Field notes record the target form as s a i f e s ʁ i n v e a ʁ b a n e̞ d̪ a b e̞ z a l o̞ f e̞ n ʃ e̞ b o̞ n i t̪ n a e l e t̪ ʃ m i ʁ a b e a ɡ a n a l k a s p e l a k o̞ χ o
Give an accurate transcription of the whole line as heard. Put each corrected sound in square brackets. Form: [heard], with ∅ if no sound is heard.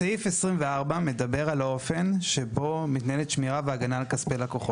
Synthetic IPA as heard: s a i f e s ʁ i [m] v e a ʁ b a [m] e̞ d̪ a b e̞ [ʁ] a l o̞ f e̞ n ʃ e̞ b o̞ [m] i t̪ n a e l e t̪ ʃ m i ʁ a [v] e a ɡ a n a l k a s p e l a k o̞ χ o

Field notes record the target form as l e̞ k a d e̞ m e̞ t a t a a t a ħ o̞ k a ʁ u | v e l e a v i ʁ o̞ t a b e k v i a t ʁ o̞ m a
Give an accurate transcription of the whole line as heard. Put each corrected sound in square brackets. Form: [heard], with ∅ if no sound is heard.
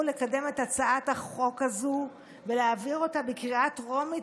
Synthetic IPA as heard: l e̞ k a d e̞ m e̞ t a [t͡s] a a t a [χ] o̞ k a [z] u | v e l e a v i ʁ o̞ t a b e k [ʁ] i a t ʁ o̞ m [i]

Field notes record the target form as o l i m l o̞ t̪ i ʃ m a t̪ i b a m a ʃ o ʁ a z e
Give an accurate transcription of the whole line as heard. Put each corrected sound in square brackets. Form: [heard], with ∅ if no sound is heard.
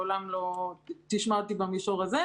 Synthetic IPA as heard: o l [a] m l o̞ t̪ i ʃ m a t̪ i b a m [i] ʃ o ʁ a z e

